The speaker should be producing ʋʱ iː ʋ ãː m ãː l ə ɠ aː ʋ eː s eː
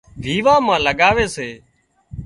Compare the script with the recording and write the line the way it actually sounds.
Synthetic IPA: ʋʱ iː ʋ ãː m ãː l ə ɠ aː ʋ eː s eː